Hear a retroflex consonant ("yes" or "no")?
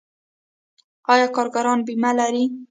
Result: no